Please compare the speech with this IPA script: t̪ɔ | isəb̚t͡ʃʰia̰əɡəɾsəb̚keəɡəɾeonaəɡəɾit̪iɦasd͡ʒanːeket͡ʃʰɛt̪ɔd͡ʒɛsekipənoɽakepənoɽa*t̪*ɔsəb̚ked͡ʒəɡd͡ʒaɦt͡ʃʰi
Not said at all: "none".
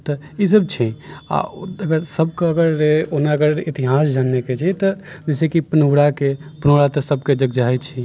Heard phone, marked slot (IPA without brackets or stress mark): t̪